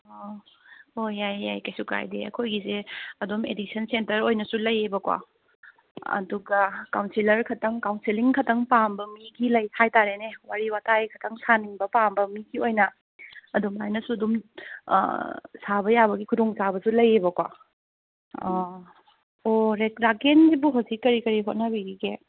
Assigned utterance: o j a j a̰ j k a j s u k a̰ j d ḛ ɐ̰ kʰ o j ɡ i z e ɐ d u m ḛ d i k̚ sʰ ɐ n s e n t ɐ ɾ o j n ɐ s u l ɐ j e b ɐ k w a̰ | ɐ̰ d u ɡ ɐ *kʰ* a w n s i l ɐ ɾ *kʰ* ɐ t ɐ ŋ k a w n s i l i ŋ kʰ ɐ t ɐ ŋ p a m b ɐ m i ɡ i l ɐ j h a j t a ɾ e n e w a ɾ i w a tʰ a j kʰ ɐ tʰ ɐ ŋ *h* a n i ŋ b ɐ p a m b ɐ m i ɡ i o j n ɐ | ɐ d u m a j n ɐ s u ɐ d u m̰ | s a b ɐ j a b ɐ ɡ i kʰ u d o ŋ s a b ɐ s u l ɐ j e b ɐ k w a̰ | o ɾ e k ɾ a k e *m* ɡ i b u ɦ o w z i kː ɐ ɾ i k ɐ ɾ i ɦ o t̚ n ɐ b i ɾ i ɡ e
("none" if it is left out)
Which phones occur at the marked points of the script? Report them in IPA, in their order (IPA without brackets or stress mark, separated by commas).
k, kʰ, s, n